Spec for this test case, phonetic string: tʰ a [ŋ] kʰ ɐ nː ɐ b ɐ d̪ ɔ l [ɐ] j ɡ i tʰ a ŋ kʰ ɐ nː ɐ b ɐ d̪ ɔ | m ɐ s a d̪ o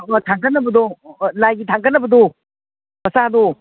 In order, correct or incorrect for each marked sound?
correct, incorrect: a

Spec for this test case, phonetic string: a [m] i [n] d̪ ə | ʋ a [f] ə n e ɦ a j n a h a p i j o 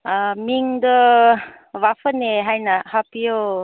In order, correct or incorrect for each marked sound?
correct, incorrect: ŋ, correct

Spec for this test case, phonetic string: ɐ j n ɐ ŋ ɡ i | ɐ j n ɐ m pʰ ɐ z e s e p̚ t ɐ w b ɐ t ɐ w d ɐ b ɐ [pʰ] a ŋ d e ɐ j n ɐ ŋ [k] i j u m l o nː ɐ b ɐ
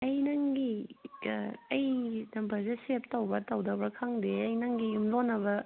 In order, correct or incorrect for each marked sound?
incorrect: kʰ, incorrect: ɡ

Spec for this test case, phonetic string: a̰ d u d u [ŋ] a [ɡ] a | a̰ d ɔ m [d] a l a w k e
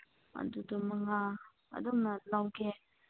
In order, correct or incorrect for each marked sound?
incorrect: m, incorrect: ŋ, incorrect: n

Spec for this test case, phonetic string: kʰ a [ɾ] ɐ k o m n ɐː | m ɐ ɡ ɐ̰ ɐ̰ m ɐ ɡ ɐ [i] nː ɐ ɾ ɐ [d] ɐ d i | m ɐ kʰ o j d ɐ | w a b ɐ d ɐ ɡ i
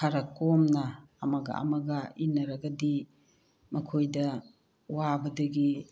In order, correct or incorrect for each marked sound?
correct, correct, incorrect: ɡ

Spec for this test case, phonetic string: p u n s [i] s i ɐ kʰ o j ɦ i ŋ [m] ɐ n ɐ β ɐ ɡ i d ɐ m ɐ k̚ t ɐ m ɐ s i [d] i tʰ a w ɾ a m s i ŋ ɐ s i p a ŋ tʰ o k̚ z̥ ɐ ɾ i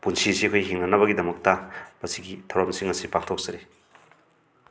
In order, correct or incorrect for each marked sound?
correct, incorrect: n, incorrect: ɡ

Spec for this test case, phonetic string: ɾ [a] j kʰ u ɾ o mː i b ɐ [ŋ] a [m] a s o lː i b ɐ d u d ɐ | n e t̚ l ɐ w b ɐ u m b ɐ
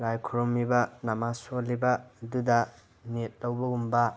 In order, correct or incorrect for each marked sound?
correct, incorrect: n, correct

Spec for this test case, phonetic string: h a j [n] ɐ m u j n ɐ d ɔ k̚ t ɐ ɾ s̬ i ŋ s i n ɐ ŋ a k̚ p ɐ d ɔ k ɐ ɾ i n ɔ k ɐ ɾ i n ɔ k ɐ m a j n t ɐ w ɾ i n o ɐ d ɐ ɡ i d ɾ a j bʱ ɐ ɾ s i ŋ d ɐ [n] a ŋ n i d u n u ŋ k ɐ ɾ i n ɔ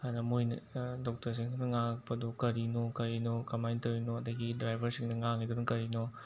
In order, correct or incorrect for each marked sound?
correct, incorrect: ŋ

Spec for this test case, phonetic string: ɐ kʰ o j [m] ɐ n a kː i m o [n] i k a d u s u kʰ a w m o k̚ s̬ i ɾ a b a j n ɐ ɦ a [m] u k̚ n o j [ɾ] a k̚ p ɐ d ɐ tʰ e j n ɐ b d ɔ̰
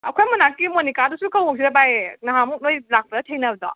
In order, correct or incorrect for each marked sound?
correct, correct, correct, incorrect: l

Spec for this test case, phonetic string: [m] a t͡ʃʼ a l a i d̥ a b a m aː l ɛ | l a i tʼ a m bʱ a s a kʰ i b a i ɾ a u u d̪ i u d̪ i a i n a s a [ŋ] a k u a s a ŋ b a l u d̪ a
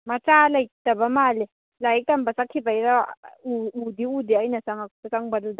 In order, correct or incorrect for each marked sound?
correct, correct

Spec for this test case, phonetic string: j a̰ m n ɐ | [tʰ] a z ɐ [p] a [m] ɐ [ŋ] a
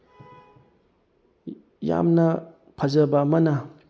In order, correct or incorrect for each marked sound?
incorrect: pʰ, incorrect: b, correct, incorrect: n

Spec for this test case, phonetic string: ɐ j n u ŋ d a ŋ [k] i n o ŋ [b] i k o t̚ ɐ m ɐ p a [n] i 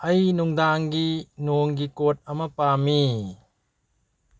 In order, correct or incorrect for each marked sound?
incorrect: ɡ, incorrect: ɡ, incorrect: m

